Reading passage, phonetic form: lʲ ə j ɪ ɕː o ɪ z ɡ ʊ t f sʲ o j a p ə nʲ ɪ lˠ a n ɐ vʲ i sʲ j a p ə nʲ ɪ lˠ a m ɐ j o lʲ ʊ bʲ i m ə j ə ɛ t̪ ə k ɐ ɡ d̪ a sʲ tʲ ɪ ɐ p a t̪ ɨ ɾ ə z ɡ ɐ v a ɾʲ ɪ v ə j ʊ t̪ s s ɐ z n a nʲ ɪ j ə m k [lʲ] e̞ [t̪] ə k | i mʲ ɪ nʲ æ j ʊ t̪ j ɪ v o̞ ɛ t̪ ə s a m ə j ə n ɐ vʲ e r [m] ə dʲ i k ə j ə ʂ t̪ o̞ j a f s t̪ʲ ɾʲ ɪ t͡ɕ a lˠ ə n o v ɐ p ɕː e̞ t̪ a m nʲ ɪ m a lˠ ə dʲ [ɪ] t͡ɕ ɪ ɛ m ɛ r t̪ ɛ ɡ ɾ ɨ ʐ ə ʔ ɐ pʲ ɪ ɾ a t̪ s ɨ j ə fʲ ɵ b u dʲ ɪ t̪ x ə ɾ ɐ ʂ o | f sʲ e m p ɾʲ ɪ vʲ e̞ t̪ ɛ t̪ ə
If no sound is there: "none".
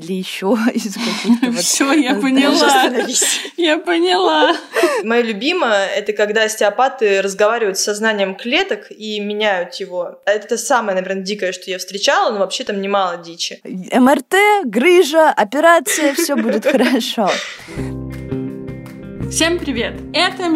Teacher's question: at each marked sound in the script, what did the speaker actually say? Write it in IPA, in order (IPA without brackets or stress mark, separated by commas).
lʲ, t̪, n, i